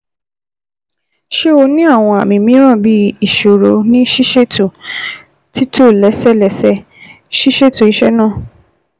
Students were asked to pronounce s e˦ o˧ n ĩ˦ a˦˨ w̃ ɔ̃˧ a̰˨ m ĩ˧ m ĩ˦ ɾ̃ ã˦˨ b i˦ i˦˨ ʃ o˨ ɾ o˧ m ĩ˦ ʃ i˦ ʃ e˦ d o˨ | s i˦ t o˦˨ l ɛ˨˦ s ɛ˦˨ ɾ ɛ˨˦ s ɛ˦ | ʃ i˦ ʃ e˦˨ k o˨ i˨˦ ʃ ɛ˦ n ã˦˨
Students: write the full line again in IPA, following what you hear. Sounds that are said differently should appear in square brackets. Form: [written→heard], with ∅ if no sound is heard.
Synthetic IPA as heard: [s→ʃ] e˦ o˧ n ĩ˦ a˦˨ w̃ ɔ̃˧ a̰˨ m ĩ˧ m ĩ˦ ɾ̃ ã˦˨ b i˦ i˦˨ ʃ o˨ ɾ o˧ [m→n] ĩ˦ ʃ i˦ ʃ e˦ [d→t] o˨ | [s→t] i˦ t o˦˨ l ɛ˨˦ s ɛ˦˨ [ɾ→l] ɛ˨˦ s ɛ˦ | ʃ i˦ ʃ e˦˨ [k→t] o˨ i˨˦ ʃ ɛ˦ n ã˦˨

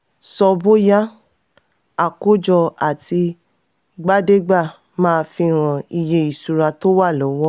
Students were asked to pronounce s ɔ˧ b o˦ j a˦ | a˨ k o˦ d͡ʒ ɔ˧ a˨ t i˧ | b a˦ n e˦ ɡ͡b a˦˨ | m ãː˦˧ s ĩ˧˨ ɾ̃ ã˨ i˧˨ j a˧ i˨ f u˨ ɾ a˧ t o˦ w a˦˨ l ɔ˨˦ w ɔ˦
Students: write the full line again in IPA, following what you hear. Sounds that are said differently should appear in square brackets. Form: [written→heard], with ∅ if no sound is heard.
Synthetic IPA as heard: s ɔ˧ b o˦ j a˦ | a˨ k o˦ d͡ʒ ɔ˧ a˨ t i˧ | [b→ɡ͡b] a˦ [n→d] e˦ ɡ͡b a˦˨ | m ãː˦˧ [s→f] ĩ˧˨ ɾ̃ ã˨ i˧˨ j [a˧→e˧] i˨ [f→s] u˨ ɾ a˧ t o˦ w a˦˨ l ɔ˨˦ w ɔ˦

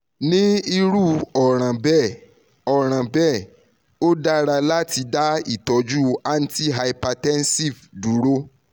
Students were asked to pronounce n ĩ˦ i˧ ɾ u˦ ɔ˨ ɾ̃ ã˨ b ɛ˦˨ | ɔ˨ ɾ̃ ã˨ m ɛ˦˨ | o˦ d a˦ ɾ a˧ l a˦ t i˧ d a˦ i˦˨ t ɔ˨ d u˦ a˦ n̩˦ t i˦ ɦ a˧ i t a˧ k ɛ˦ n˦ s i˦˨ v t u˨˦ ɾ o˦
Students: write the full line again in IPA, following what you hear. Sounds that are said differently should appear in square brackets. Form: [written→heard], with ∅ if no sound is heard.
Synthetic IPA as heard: n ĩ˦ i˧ ɾ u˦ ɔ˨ ɾ̃ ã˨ b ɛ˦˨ | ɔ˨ ɾ̃ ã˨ [m→b] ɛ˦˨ | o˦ d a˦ ɾ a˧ l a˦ t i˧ d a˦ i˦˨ t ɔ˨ [d→d͡ʒ] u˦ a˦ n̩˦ t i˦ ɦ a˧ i [t→p] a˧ [k→t] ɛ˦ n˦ s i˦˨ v [t→d] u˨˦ ɾ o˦

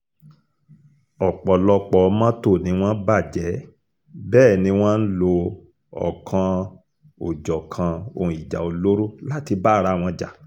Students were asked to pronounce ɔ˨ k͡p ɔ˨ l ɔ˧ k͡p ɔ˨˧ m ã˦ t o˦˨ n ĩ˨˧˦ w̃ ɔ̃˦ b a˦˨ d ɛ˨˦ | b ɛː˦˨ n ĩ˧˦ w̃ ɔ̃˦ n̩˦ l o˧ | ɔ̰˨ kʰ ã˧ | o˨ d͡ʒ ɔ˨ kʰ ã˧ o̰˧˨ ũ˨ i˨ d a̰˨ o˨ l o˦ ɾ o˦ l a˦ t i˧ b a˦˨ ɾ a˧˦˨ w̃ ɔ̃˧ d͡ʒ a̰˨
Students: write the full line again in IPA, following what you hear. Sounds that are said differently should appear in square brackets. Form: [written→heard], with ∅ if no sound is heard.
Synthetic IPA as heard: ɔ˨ k͡p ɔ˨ l ɔ˧ k͡p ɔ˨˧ m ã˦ t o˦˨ n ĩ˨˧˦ w̃ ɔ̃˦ b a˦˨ [d→d͡ʒ] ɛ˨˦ | b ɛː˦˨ n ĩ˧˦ w̃ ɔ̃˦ n̩˦ l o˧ | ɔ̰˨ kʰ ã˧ | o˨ d͡ʒ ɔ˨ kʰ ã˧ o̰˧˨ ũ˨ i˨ [d→d͡ʒ] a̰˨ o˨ l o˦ ɾ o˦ l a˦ t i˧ b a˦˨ ɾ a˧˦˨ w̃ ɔ̃˧ d͡ʒ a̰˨

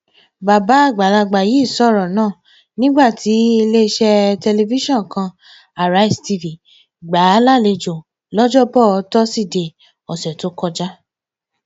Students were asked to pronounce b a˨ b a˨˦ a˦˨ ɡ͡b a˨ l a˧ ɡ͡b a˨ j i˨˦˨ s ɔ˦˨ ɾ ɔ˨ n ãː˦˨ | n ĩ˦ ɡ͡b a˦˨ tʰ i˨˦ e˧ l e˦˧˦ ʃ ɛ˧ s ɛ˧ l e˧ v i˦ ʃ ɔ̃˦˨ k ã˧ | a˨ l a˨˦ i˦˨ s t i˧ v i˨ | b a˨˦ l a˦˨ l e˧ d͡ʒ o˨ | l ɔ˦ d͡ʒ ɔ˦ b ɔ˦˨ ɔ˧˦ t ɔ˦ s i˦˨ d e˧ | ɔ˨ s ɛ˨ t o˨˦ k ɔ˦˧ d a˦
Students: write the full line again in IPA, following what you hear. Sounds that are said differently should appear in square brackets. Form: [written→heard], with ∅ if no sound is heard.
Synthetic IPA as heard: b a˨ b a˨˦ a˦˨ ɡ͡b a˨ l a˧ ɡ͡b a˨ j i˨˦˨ s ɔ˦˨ ɾ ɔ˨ n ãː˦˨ | n ĩ˦ ɡ͡b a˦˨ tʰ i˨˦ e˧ l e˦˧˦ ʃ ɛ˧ [s→t] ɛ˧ l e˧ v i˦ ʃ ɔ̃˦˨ k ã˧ | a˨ [l→ɾ] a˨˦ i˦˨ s t i˧ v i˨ | [b→ɡ͡b] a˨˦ l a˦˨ l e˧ d͡ʒ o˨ | l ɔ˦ d͡ʒ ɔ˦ b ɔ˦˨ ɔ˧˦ t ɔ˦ s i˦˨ d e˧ | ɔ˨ s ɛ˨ t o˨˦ k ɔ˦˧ [d→d͡ʒ] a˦

